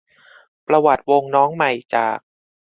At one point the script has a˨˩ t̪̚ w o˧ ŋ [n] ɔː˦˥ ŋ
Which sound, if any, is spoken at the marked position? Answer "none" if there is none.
n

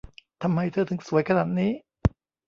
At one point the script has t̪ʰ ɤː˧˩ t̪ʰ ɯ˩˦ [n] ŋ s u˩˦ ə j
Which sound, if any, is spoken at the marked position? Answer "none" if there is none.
none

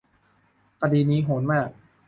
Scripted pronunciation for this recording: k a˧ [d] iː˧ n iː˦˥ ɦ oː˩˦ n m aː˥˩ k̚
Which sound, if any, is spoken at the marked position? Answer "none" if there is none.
d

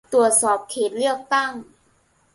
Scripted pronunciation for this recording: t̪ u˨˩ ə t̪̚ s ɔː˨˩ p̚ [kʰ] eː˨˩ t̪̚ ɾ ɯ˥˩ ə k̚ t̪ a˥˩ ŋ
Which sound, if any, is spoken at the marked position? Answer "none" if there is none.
kʰ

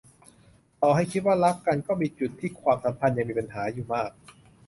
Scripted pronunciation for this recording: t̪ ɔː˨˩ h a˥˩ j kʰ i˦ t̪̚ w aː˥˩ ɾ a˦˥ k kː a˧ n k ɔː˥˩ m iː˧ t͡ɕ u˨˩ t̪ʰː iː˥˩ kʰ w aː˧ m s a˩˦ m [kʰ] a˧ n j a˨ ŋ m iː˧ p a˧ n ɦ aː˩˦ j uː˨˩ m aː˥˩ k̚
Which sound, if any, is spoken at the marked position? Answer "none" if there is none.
pʰ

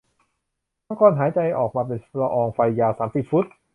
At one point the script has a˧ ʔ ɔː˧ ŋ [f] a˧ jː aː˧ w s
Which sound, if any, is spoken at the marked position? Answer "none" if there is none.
f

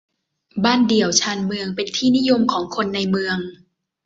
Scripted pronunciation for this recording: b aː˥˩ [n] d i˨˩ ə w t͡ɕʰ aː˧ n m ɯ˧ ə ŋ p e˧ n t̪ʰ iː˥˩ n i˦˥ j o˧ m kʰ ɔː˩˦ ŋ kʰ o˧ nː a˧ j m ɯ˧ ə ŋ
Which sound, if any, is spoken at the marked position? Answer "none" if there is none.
n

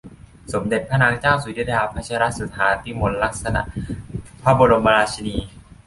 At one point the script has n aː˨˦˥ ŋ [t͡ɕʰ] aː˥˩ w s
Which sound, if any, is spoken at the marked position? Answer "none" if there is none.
t͡ɕ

